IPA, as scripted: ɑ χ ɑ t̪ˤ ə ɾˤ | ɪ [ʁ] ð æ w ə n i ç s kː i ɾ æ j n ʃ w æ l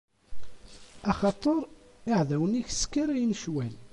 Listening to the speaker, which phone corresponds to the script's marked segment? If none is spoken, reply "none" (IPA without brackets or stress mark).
ʕ